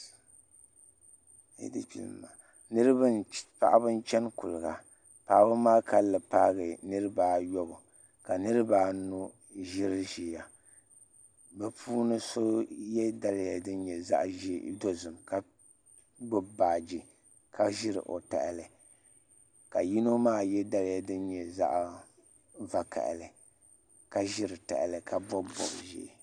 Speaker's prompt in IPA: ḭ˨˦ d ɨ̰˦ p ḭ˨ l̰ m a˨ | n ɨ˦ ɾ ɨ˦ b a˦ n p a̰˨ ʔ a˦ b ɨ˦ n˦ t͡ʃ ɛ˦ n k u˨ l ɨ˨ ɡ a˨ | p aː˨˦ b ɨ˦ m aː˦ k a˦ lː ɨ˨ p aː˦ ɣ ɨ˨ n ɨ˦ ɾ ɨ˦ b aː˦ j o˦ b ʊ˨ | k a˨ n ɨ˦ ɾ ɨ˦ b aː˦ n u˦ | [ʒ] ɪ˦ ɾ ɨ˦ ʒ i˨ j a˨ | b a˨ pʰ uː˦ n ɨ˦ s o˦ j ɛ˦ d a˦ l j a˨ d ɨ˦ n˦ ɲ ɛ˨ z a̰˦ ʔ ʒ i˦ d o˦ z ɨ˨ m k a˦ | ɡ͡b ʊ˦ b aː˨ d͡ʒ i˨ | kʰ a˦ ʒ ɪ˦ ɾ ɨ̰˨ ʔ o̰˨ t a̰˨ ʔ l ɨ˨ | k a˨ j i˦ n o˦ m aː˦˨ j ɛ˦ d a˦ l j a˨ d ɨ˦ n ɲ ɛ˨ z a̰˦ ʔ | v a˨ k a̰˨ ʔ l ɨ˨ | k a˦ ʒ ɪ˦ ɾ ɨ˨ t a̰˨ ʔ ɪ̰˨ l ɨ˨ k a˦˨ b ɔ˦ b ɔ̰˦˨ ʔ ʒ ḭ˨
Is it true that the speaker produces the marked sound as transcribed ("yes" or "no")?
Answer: yes